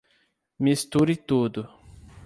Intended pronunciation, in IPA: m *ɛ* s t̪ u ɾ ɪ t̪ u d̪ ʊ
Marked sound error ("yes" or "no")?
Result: yes